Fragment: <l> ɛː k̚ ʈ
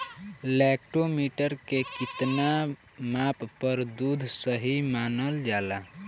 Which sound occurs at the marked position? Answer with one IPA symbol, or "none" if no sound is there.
l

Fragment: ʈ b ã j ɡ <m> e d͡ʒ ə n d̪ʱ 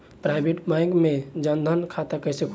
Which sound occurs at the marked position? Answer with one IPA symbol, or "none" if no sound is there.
m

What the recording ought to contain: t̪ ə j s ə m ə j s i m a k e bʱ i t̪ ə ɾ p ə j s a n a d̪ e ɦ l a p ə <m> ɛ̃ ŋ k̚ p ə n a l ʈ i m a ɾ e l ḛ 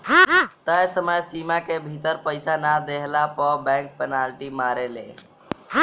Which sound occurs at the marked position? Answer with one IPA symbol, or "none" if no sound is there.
b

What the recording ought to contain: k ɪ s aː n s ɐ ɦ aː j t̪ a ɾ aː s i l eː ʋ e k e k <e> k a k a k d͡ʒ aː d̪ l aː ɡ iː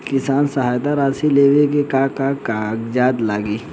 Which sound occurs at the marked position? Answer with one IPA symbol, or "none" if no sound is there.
a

